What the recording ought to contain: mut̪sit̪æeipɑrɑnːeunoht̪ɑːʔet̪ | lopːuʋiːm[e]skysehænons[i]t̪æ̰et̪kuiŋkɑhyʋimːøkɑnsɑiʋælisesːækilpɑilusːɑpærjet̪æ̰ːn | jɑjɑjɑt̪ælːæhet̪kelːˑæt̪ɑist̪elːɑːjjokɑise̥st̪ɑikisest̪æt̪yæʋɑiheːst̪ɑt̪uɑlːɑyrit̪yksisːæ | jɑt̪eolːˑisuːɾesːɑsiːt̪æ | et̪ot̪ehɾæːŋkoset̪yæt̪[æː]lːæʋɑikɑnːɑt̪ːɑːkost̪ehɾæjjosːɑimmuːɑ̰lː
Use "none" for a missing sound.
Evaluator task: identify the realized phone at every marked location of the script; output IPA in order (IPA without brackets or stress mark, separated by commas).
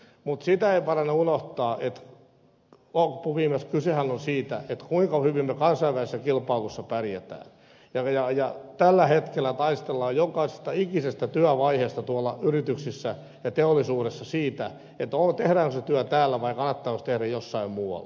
e, iː, æː